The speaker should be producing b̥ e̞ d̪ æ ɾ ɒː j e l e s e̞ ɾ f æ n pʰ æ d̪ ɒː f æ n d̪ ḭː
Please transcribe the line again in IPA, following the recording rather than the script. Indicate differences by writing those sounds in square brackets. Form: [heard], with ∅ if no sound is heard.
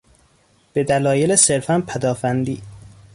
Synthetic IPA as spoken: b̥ e̞ d̪ æ [l] ɒː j e l e s e̞ ɾ f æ n pʰ æ d̪ ɒː f æ n d̪ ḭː